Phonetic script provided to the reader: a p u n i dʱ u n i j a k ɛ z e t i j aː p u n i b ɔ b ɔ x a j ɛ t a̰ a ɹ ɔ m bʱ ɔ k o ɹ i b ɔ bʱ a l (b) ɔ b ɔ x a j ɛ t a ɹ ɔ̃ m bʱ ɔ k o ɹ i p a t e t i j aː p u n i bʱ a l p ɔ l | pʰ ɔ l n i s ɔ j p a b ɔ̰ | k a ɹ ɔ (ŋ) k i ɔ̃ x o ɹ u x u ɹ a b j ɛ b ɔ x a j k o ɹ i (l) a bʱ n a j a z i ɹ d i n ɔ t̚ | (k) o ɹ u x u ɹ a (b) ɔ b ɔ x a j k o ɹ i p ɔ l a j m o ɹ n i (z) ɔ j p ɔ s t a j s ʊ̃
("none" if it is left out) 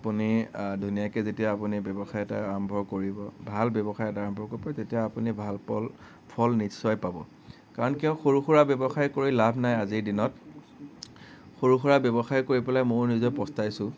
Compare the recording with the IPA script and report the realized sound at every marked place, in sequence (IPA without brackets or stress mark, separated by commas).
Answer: b, n, l, x, b, z